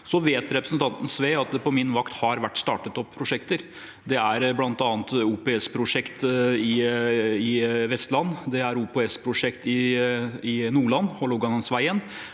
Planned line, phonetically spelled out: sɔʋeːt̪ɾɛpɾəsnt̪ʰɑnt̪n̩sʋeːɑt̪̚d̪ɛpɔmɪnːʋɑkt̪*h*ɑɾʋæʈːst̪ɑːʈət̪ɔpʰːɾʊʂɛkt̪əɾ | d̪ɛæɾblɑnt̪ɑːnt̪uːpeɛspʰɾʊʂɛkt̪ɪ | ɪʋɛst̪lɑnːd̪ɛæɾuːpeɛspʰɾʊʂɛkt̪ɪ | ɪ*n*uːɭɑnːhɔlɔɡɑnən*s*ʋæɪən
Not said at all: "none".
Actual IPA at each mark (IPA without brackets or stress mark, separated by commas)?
h, n, s